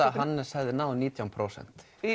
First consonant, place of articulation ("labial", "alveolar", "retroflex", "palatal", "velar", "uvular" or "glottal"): glottal